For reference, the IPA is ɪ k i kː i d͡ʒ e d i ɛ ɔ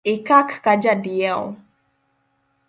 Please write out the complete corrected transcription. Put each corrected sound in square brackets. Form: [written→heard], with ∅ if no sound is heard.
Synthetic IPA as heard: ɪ k [i→a] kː [i→a] d͡ʒ [e→a] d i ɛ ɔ